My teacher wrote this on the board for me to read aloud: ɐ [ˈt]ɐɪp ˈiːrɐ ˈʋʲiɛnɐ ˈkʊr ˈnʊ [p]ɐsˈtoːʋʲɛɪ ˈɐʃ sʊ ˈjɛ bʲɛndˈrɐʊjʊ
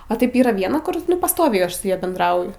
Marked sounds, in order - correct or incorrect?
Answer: correct, correct

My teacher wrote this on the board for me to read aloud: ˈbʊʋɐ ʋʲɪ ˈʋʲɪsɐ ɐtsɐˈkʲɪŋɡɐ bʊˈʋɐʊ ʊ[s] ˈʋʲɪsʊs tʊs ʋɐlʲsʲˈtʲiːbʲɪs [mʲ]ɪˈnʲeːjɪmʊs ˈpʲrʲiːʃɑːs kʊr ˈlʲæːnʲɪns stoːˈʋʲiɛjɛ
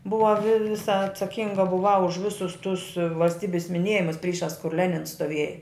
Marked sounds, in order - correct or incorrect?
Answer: incorrect, correct

